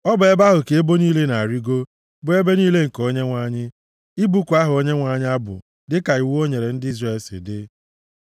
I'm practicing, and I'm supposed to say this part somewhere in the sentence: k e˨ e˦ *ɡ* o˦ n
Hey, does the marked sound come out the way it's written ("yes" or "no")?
no